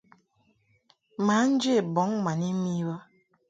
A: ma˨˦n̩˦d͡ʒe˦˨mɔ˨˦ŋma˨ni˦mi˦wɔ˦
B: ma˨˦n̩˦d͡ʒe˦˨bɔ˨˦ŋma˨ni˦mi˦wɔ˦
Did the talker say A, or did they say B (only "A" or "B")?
B